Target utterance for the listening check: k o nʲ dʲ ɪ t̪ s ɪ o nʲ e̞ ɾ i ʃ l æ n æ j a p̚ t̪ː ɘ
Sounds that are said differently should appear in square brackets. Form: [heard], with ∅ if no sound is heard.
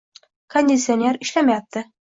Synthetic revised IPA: k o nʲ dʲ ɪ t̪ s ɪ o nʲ e̞ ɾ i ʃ l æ [m] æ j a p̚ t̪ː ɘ